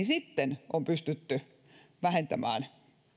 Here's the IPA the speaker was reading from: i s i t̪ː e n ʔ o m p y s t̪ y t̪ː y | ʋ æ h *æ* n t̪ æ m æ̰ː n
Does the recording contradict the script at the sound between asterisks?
yes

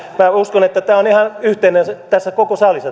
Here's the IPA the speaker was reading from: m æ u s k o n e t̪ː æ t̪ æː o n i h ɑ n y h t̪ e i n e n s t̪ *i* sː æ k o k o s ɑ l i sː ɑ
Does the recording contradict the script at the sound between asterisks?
yes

